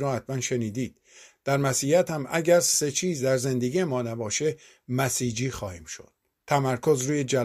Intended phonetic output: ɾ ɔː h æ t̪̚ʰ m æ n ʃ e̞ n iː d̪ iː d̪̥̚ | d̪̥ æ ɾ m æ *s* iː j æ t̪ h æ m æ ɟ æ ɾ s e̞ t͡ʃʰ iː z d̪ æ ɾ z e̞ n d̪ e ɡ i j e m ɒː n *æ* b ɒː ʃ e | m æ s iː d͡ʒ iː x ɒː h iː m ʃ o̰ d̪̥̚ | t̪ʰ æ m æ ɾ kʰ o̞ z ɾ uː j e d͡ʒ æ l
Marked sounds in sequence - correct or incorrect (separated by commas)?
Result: correct, correct